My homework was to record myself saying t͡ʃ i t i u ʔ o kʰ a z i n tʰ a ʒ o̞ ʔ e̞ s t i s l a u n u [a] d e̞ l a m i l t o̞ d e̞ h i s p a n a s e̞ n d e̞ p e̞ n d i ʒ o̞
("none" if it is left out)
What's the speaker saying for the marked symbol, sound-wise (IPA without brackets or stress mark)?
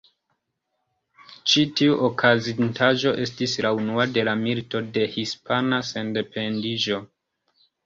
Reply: a